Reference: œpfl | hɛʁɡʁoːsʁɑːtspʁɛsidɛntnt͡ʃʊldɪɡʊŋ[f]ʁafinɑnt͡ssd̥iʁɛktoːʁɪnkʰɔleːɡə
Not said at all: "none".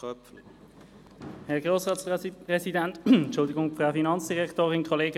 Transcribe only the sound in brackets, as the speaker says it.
f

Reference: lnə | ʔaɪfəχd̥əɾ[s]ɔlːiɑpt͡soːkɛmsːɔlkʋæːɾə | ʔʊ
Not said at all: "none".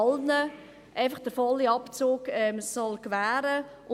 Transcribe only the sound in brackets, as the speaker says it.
f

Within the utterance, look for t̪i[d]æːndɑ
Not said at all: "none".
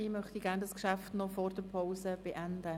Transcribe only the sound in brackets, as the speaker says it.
ɡ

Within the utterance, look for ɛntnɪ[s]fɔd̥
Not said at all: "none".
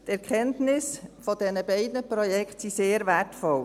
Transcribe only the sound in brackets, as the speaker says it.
s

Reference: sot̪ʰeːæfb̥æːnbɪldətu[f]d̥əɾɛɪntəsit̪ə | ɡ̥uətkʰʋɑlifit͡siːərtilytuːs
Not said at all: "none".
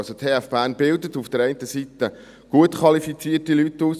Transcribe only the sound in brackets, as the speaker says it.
f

